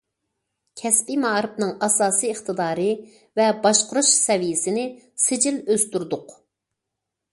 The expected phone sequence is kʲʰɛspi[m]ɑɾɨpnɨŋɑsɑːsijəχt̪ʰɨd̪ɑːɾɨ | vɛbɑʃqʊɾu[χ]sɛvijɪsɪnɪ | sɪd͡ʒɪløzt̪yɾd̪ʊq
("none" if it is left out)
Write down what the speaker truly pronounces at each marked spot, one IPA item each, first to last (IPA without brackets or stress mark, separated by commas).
m, ʃ